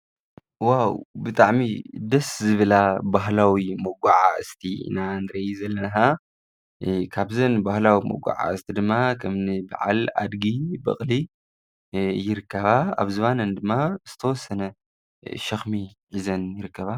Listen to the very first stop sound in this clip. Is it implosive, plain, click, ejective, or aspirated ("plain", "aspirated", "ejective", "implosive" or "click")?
plain